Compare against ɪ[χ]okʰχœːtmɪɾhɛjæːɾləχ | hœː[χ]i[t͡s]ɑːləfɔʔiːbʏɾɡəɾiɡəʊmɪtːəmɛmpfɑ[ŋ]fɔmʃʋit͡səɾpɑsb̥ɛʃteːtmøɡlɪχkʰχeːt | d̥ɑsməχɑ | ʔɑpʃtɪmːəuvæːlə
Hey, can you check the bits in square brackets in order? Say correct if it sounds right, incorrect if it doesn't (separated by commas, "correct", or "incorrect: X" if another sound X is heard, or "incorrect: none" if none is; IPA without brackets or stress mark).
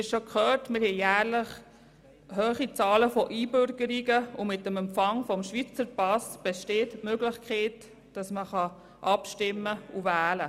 incorrect: ʃ, correct, correct, correct